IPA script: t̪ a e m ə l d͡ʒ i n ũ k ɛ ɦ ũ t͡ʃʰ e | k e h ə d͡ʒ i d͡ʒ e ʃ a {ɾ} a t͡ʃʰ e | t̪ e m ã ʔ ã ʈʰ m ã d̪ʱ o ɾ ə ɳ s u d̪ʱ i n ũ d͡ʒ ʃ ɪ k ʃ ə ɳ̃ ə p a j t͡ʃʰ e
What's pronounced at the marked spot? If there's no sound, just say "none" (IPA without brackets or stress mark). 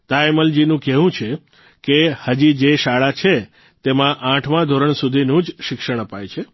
ɭ